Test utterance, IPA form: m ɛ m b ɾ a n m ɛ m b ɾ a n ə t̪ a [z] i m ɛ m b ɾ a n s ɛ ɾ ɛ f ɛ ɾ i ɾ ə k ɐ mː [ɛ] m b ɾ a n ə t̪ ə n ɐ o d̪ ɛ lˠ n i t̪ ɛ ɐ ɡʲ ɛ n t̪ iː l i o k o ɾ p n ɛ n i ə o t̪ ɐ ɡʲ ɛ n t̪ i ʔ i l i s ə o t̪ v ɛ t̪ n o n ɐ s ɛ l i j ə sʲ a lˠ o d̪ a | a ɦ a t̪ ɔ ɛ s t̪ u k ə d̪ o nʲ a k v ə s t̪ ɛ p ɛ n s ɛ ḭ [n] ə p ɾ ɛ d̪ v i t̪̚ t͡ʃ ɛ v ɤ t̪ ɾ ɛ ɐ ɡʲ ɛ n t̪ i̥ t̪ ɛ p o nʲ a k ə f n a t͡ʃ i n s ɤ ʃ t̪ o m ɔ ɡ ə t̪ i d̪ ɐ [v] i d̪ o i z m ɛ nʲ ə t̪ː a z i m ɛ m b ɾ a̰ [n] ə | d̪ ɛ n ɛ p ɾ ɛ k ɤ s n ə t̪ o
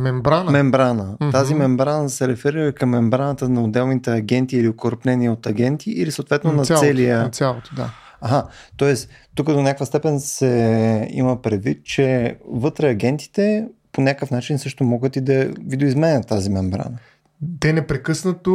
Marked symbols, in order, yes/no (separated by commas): yes, yes, no, yes, yes